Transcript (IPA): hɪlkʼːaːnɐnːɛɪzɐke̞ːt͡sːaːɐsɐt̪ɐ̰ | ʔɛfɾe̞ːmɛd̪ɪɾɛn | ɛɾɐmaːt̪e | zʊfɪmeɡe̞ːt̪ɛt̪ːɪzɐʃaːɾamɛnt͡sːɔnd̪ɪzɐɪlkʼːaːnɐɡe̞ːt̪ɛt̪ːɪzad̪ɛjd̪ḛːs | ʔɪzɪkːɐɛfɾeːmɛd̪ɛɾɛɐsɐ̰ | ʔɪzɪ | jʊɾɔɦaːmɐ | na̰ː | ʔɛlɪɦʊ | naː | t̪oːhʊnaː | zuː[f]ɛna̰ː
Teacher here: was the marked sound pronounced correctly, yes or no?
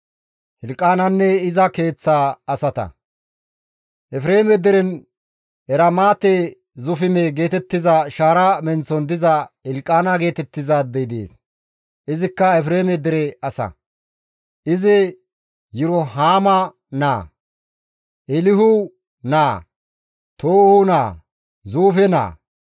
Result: yes